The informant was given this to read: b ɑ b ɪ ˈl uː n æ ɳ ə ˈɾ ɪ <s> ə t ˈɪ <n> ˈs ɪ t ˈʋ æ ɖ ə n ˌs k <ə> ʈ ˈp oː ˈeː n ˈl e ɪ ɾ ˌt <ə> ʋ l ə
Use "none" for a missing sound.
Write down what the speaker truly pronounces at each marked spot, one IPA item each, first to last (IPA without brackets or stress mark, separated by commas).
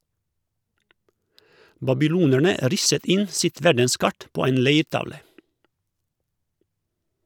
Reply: s, n, ɑ, ɑ